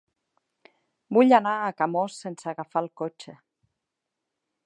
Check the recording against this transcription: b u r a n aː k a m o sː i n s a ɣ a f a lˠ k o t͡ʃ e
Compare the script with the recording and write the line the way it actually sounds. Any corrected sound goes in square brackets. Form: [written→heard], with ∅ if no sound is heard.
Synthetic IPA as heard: b u [r→ʎ] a n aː k a m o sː [i→e] n s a ɣ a f a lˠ k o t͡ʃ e

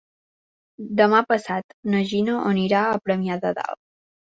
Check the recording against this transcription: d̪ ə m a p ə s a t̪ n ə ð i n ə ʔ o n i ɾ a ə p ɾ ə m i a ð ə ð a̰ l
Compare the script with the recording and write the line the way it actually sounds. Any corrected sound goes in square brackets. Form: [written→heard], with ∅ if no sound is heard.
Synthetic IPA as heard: d̪ ə m a p ə s a t̪ n ə [ð→ʒ] i n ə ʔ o n i ɾ a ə p ɾ ə m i a ð ə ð a̰ l

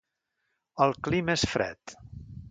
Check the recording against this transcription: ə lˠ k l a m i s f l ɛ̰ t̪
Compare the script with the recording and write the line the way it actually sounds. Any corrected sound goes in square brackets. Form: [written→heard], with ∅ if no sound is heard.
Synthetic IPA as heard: ə lˠ k l [a→i] m [i→e] s f [l→ɾ] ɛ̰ t̪

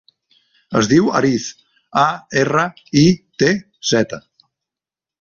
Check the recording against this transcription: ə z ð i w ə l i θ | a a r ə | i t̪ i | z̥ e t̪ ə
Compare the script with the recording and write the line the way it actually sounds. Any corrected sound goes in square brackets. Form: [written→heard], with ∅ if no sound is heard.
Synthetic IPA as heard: ə z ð i w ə [l→ɾ] i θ | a [a→e] r ə | i t̪ [i→e] | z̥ [e→ɛ] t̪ ə

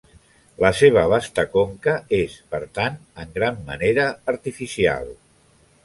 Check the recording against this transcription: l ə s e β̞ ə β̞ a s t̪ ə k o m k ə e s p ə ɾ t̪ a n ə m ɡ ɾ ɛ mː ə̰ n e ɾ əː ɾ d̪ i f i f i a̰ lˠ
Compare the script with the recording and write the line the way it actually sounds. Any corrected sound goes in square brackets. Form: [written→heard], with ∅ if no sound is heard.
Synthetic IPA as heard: l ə s e β̞ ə β̞ a s t̪ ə k o [m→ŋ] k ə e s p ə ɾ t̪ a n ə [m→ŋ] ɡ ɾ [ɛ→a] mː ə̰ n e ɾ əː ɾ [d̪→t̪] i f i [f→s] i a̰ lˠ

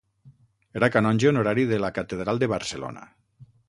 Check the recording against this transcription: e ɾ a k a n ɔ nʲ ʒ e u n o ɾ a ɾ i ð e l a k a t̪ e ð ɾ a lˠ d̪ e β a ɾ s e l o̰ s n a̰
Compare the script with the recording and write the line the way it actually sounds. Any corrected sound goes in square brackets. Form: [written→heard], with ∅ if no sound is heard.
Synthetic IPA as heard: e ɾ a k a n ɔ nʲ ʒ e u n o ɾ a ɾ i ð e l a k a t̪ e ð ɾ a lˠ d̪ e β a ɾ s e l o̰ [s→∅] n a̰

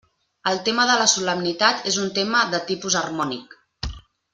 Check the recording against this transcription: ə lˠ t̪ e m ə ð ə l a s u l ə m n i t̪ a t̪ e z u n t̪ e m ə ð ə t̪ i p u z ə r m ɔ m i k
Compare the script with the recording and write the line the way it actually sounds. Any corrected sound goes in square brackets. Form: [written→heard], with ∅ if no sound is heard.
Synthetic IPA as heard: ə lˠ t̪ e m ə ð ə l [a→ə] s u l ə m n i t̪ a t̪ e z u n t̪ e m ə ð ə t̪ i p u z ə r m ɔ [m→n] i k

